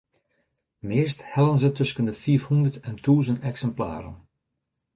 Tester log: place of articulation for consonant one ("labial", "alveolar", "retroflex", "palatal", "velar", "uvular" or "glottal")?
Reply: labial